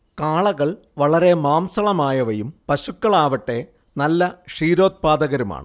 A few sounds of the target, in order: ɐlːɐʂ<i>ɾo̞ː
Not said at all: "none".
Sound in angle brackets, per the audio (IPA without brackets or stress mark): iː